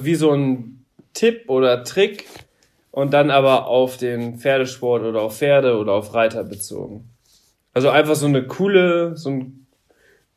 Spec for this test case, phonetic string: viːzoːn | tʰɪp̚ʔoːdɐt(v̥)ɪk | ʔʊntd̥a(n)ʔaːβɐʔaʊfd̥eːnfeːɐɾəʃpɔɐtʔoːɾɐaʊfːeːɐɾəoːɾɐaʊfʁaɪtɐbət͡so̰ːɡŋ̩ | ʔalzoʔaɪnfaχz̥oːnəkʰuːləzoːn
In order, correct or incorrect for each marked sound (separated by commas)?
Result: incorrect, correct